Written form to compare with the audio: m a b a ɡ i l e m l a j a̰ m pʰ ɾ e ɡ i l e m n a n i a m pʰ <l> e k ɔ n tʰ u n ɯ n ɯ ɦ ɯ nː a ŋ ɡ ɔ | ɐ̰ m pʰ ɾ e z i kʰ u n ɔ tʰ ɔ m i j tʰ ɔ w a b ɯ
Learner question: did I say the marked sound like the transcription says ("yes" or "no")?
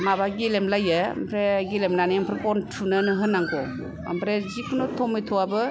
no